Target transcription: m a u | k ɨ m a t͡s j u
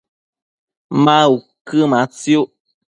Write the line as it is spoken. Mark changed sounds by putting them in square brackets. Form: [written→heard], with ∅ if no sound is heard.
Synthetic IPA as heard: m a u | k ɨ m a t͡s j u